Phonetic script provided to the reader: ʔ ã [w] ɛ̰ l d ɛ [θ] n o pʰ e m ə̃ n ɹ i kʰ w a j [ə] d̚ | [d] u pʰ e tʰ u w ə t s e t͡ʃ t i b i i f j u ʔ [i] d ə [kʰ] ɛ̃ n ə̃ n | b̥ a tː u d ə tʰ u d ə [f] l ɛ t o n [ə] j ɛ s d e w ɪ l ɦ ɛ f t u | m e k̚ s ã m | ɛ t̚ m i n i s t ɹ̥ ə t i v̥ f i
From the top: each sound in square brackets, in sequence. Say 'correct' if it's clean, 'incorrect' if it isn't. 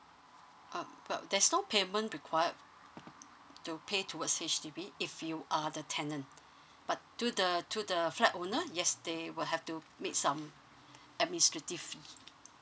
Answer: correct, incorrect: s, correct, incorrect: t, incorrect: a, incorrect: tʰ, correct, correct

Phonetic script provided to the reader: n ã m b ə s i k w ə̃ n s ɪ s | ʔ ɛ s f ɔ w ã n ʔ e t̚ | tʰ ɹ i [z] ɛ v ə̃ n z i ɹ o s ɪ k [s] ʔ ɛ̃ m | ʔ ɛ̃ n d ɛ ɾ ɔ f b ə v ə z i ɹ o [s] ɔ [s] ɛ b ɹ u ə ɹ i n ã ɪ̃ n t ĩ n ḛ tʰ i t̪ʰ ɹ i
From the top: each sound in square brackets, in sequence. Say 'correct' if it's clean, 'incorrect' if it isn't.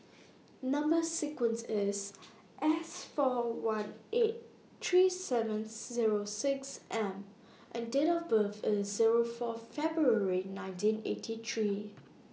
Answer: incorrect: s, correct, incorrect: f, incorrect: f

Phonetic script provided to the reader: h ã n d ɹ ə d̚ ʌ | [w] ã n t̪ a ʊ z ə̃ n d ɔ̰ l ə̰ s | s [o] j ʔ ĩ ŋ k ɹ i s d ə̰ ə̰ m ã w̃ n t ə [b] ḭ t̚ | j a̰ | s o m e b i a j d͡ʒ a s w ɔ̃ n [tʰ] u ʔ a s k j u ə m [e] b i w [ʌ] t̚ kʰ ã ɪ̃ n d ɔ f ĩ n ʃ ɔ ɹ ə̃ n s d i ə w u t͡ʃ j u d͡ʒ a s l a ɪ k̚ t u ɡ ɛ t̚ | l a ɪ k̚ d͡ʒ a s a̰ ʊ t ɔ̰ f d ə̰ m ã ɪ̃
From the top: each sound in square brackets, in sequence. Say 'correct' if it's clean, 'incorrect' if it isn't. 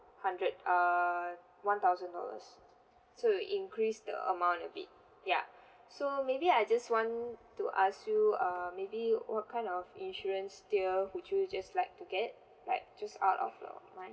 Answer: correct, correct, correct, incorrect: t, correct, incorrect: ɔ

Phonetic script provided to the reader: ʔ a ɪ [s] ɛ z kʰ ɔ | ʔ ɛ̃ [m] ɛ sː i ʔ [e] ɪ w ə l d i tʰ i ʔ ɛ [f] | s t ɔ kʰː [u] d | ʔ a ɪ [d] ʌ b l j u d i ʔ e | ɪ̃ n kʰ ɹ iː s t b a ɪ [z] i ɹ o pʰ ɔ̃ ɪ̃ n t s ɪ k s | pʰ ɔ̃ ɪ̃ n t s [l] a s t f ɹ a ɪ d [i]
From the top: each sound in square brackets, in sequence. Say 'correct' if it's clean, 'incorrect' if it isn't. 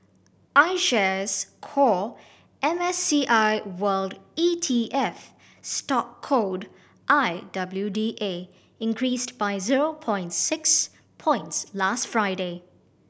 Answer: incorrect: ʃ, correct, incorrect: a, correct, incorrect: o, correct, correct, correct, incorrect: e

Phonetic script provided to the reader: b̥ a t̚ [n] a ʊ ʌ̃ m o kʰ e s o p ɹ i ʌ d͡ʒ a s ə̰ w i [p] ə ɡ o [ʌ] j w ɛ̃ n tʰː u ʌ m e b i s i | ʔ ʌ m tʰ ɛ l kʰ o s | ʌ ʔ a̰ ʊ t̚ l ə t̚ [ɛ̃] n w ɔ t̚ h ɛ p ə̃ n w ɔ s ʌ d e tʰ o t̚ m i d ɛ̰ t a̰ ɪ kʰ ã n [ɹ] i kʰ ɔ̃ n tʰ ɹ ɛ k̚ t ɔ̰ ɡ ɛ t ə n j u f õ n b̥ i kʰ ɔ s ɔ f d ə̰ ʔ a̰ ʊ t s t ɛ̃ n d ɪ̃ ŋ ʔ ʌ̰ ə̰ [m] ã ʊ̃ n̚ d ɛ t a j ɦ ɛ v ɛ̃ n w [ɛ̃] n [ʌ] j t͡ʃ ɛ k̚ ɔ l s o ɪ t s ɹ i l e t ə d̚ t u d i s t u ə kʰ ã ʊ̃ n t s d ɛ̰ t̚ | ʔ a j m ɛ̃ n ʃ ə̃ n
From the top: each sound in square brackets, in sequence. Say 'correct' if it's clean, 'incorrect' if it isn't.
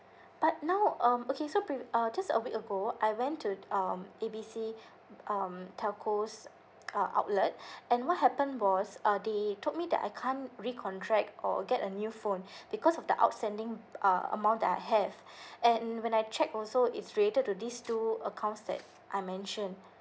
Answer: correct, incorrect: k, incorrect: a, correct, correct, correct, correct, incorrect: a

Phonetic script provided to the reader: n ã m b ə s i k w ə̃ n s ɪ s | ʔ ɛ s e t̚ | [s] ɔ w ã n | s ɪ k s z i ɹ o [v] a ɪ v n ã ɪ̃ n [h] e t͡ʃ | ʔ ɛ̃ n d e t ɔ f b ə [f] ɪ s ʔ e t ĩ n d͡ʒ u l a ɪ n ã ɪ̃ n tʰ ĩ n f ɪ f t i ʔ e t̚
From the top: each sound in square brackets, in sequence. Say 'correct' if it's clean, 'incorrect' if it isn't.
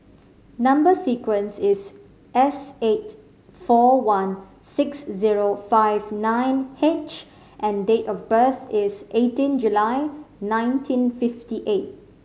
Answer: incorrect: f, incorrect: f, correct, incorrect: θ

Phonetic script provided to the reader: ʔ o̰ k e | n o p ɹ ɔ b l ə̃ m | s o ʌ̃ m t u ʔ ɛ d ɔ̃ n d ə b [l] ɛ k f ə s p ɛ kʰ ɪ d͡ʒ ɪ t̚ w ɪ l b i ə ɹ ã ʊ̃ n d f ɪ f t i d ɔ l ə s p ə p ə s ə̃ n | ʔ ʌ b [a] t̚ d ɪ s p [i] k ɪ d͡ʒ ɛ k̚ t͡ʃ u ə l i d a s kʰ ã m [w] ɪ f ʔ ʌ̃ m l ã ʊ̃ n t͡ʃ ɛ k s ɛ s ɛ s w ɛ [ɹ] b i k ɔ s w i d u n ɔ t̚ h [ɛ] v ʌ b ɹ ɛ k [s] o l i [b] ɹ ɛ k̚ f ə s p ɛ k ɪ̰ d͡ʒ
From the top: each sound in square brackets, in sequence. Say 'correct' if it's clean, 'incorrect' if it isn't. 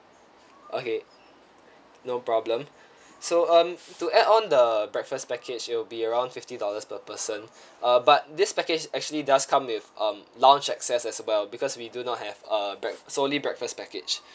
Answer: incorrect: ɹ, correct, incorrect: ɛ, correct, incorrect: l, correct, correct, correct

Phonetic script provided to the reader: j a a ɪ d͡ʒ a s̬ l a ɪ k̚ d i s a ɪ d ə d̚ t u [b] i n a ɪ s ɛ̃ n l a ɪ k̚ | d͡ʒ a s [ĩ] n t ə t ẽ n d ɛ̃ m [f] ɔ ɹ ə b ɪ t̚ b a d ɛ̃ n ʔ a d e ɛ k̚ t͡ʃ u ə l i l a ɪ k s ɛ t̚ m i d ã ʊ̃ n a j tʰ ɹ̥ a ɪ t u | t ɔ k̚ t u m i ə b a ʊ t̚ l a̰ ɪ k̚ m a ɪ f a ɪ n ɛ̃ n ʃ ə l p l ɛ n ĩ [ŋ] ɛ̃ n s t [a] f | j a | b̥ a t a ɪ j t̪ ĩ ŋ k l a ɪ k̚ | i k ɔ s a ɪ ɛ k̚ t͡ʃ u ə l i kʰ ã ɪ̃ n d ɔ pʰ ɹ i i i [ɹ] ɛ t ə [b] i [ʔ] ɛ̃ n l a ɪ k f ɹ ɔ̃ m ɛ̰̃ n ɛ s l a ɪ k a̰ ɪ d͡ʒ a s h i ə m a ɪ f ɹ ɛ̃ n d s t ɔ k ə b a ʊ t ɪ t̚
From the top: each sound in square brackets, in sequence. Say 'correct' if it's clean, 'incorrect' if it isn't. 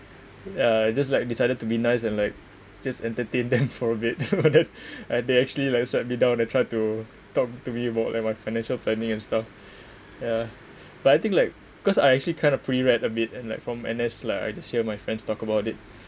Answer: correct, incorrect: ɛ̃, correct, correct, correct, correct, correct, incorrect: t

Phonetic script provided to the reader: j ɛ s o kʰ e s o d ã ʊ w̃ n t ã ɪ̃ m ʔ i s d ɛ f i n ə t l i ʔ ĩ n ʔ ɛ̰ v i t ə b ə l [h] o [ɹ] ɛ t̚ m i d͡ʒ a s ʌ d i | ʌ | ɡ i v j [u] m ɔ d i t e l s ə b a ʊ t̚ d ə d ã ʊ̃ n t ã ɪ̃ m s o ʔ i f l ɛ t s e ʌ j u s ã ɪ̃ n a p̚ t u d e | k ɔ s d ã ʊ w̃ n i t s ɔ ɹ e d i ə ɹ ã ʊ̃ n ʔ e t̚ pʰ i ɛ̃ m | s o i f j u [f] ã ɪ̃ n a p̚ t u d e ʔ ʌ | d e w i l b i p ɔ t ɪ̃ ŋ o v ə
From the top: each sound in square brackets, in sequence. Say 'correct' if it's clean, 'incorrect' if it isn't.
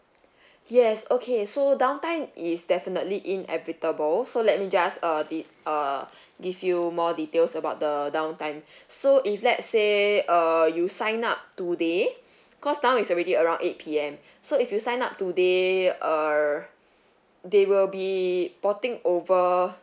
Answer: incorrect: s, incorrect: l, correct, incorrect: s

